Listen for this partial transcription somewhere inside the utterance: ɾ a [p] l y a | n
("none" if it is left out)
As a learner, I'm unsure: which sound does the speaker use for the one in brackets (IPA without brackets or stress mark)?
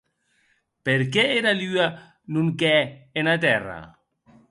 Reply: none